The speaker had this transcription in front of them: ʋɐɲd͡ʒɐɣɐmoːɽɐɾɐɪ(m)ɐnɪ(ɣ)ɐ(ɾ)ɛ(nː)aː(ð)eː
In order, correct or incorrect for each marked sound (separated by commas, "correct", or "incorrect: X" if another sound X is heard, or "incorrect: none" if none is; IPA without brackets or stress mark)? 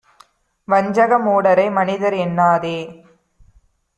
correct, incorrect: ð, correct, correct, correct